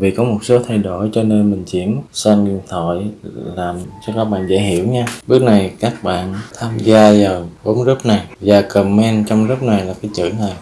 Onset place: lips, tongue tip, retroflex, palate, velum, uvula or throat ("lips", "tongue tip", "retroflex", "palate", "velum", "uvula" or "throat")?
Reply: lips